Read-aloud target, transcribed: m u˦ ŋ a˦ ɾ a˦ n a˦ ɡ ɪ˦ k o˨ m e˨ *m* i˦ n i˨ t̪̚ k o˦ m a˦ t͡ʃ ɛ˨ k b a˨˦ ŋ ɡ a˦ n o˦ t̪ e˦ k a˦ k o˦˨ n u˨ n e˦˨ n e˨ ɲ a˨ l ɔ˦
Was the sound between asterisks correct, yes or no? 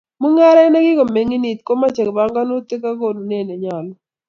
no